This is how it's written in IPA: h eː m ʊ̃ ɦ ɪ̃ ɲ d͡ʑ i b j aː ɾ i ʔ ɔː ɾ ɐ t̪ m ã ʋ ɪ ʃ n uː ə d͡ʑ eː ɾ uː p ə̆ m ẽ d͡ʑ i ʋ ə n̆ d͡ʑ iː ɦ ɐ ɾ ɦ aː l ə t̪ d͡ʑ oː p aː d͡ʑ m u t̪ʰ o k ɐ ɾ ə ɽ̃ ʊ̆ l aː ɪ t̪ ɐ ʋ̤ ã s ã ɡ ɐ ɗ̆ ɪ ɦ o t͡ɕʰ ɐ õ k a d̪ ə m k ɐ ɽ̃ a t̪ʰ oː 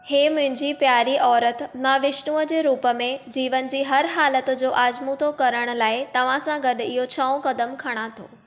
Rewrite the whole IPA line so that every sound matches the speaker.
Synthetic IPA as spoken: h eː m ʊ̃ ɦ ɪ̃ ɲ d͡ʑ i p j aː ɾ i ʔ ɔː ɾ ə t̪ m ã ʋ ɪ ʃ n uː ə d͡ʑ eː ɾ uː p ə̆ m ẽ d͡ʑ iː ʋ ə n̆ d͡ʑ iː ɦ ɐ ɾ ɦ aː l ə t̪ d͡ʑ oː ʔ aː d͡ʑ m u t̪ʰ o k ɐ ɾ ə ɽ̃ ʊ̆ l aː ɪ t̪ ɐ ʋ̤ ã s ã ɡ ɐ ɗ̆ ɪ ɦ o t͡ɕʰ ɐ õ k ɐ d̪ ə m kʰ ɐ ɽ̃ a t̪ʰ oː